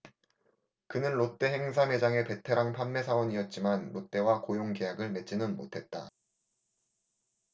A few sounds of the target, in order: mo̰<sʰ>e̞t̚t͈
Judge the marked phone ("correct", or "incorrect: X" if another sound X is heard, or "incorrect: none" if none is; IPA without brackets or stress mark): incorrect: tʰ